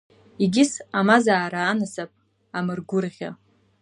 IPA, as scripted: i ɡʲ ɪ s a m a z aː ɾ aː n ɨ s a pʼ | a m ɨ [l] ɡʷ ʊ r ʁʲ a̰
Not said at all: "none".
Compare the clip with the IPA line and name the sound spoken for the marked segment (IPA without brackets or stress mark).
r